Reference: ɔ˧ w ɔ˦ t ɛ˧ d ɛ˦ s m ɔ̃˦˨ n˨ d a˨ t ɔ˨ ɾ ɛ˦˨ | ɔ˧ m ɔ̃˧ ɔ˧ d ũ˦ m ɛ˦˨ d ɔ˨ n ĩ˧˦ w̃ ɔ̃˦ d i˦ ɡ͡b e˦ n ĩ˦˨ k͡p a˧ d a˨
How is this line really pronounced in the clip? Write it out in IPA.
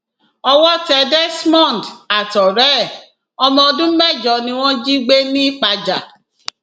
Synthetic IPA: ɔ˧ w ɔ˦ t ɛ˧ d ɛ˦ s m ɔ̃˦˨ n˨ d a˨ t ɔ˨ ɾ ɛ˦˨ | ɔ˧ m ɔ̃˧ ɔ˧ d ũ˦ m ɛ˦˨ d͡ʒ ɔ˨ n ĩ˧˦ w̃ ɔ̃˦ d͡ʒ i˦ ɡ͡b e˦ n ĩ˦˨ k͡p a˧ d͡ʒ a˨